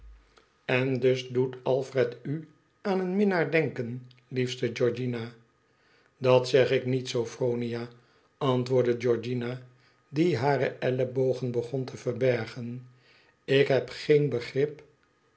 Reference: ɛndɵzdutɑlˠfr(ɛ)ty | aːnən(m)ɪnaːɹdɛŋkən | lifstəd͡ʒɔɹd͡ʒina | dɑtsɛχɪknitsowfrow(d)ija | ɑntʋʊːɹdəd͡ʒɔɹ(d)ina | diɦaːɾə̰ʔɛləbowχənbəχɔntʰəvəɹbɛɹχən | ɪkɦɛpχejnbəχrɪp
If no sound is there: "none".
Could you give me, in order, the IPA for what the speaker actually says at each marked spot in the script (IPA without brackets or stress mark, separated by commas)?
ɛ, m, n, d͡ʒ